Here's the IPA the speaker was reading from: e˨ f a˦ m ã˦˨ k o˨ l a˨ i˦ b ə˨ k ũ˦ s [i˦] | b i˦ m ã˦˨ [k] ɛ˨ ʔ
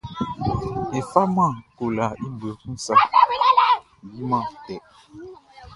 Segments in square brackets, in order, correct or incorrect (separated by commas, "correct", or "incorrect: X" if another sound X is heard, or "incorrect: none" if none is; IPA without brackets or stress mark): incorrect: a˦, incorrect: t